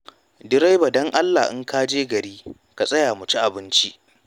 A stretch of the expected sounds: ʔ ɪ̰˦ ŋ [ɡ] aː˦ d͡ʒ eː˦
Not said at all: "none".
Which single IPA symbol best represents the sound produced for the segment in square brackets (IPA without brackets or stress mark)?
k